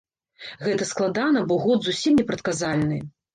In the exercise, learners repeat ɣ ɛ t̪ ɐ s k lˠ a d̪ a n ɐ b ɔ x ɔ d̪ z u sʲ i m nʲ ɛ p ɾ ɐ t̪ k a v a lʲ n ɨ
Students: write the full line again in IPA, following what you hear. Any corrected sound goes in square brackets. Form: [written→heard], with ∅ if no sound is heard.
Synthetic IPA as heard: ɣ ɛ t̪ ɐ s k lˠ a d̪ a n ɐ b ɔ [x→ɣ] ɔ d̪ z u sʲ i m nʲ ɛ p ɾ ɐ t̪ k a [v→z] a lʲ n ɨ